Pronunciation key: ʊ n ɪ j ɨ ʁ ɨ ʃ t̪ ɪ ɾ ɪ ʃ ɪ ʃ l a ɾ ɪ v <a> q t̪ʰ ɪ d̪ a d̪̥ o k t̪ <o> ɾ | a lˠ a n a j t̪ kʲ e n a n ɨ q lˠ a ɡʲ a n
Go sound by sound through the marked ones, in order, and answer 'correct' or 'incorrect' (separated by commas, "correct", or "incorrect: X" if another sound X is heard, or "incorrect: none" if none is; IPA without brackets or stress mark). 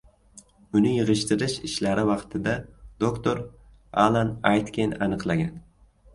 incorrect: ɑ, correct